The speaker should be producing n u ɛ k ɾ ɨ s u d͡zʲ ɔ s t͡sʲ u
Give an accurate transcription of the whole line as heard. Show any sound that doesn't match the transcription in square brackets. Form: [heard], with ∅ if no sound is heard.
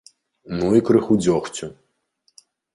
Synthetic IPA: n u [i] k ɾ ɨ [x] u d͡zʲ ɔ [x] t͡sʲ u